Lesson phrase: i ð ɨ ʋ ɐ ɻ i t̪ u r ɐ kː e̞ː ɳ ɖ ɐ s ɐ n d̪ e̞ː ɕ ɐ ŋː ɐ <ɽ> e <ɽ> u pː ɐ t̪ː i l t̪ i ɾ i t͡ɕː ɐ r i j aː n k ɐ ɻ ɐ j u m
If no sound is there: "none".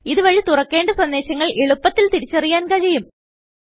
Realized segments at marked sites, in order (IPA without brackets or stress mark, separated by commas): ɭ, ɭ